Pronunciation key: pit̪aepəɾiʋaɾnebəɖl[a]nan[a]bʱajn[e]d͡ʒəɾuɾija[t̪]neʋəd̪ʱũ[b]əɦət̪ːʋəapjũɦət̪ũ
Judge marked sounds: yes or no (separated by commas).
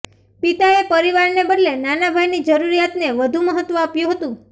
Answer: no, yes, no, yes, no